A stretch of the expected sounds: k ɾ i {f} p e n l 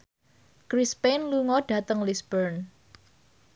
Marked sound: incorrect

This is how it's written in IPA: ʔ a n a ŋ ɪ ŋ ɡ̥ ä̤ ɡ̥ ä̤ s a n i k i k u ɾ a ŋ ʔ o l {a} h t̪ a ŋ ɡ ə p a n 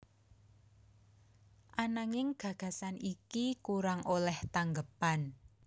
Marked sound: incorrect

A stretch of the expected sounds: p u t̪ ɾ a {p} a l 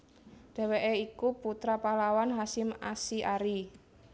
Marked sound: correct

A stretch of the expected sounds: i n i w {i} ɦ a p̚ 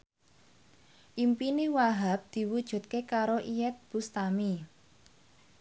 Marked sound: incorrect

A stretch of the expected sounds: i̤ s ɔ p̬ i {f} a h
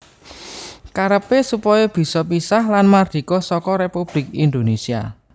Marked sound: incorrect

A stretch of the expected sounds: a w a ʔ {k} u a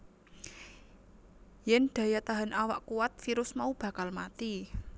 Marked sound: correct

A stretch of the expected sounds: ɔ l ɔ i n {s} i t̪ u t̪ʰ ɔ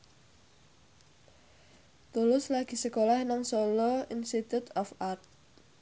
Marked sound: correct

